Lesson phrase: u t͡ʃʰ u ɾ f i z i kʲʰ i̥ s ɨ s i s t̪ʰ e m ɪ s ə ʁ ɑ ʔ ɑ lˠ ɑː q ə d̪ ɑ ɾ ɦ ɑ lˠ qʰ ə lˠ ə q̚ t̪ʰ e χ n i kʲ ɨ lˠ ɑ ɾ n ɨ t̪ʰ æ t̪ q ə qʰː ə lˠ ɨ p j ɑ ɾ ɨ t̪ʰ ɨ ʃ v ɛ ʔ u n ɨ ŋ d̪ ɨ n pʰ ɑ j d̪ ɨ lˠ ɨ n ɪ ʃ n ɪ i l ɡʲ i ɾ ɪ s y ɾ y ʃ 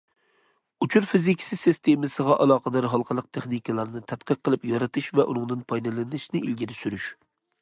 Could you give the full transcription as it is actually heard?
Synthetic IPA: u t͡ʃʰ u ɾ f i z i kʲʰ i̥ s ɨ s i s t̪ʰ e m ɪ s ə ʁ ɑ ʔ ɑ lˠ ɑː q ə d̪ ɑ ɾ ɦ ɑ lˠ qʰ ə lˠ ə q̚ t̪ʰ e χ n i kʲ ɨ lˠ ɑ ɾ n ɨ t̪ʰ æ t̪ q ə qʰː ə lˠ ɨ p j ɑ ɾ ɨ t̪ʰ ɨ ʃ v ɛ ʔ u n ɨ ŋ d̪ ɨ n pʰ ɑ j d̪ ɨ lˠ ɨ n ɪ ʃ n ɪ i l ɡʲ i ɾ ɪ s y ɾ y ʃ